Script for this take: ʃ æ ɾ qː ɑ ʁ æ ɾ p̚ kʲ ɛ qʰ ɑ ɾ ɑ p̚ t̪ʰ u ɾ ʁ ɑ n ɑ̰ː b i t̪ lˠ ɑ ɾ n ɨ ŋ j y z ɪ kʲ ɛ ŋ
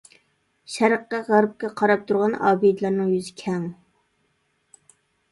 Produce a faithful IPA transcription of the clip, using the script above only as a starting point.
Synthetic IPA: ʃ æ ɾ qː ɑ ʁ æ ɾ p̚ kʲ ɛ qʰ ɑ ɾ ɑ p̚ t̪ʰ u ɾ ʁ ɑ n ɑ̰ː b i d̪ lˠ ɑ ɾ n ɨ ŋ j y z ɪ kʲʰ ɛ ŋ